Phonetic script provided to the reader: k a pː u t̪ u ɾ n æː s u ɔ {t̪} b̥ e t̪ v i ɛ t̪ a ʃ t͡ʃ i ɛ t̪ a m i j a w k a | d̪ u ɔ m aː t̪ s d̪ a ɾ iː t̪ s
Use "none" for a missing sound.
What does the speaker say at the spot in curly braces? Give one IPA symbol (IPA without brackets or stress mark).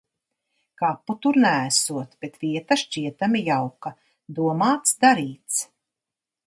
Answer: t̪